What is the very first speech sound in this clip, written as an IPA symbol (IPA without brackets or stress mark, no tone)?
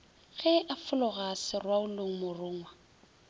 ɣ